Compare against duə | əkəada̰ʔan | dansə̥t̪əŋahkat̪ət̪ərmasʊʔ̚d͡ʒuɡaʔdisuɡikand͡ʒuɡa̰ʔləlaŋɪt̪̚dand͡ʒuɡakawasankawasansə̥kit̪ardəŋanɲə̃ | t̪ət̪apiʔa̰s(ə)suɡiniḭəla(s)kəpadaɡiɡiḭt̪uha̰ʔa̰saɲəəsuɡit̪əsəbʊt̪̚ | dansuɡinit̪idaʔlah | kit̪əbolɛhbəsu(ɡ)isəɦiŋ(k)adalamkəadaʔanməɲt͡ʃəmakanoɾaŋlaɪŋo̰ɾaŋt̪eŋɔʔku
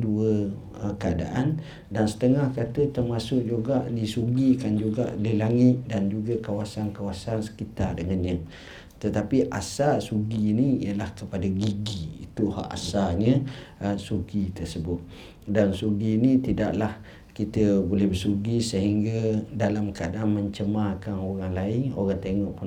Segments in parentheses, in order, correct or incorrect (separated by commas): incorrect, incorrect, correct, incorrect